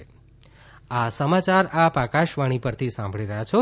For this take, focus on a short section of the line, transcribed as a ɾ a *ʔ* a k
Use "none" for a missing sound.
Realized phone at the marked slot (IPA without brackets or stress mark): p